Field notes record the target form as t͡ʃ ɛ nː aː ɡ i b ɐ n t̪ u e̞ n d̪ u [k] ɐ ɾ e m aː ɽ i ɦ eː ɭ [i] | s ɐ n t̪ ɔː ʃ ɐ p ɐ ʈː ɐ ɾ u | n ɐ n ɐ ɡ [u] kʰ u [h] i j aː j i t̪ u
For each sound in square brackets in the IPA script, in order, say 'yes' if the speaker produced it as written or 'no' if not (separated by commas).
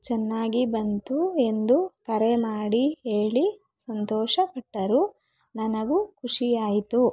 yes, yes, yes, no